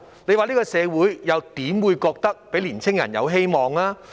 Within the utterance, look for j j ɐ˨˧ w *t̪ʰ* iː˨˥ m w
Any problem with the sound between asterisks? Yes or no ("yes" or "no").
yes